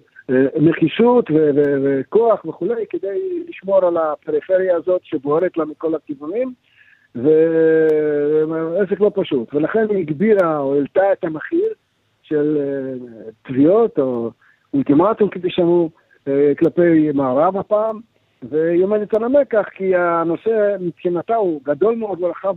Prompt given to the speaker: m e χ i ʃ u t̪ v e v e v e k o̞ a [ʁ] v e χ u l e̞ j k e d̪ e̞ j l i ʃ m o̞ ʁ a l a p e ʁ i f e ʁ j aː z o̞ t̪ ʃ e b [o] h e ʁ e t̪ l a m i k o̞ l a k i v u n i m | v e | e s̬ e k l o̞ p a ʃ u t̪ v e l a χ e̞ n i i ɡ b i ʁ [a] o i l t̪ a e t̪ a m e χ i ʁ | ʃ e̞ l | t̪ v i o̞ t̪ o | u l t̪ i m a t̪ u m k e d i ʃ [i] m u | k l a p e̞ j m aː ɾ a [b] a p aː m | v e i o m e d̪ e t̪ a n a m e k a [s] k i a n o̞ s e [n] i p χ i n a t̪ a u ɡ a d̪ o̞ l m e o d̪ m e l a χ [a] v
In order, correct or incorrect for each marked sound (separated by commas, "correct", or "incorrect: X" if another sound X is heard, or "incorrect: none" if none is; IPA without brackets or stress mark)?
incorrect: χ, correct, correct, incorrect: a, incorrect: v, incorrect: χ, incorrect: m, correct